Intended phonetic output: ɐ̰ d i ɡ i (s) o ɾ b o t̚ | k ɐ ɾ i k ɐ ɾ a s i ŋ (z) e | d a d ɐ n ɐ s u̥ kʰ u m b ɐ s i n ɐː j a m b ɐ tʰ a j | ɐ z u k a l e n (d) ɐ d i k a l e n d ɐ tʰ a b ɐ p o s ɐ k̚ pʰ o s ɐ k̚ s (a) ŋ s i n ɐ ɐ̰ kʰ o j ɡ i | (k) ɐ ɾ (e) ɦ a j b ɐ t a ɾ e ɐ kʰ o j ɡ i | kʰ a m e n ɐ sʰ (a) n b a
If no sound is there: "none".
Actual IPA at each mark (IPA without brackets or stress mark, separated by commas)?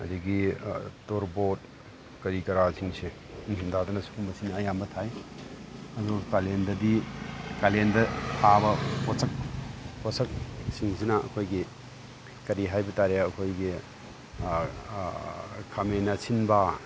t, s, d, i, k, i, i